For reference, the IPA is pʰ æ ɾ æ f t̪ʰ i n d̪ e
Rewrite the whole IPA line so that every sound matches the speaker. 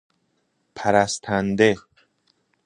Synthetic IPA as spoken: pʰ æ ɾ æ s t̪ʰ æ n d̪ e